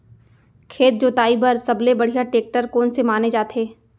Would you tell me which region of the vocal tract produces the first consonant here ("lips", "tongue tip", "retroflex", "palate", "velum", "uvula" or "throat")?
velum